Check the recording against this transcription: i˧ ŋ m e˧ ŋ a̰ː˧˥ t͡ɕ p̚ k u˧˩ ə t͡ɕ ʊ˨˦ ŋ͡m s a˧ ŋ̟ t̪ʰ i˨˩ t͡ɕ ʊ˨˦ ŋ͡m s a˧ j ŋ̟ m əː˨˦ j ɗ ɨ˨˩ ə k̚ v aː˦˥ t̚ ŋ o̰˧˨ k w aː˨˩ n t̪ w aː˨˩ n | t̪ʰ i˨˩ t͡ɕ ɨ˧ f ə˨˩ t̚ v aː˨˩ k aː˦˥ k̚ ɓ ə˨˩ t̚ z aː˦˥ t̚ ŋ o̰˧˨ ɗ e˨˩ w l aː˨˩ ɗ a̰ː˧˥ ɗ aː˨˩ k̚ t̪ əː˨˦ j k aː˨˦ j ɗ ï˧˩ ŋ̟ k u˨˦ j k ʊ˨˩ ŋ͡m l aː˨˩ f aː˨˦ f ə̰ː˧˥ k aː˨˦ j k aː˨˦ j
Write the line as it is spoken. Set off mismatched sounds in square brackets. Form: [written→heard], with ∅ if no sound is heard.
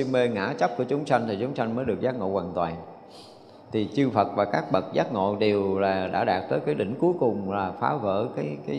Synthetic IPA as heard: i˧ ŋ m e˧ ŋ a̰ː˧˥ t͡ɕ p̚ k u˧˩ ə t͡ɕ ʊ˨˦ ŋ͡m s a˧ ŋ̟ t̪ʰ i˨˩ t͡ɕ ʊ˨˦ ŋ͡m s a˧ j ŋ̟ m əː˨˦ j ɗ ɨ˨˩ ə k̚ [v→z] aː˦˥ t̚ ŋ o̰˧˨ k w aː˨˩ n t̪ w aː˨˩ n | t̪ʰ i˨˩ t͡ɕ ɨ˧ f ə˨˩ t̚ v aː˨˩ k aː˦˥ k̚ ɓ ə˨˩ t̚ z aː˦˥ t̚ ŋ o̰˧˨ ɗ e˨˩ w l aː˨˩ ɗ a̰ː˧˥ ɗ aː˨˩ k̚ t̪ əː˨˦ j k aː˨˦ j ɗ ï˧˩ ŋ̟ k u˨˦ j k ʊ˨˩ ŋ͡m l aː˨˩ f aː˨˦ [f→v] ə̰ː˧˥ k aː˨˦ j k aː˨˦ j